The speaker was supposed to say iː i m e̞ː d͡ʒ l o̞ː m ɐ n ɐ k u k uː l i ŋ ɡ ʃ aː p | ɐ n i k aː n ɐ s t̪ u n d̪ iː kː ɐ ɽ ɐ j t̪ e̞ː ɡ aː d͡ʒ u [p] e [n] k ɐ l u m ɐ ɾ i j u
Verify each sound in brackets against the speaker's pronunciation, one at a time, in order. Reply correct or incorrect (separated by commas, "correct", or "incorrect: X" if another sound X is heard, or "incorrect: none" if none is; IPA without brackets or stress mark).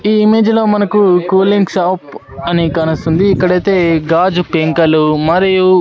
correct, incorrect: ŋ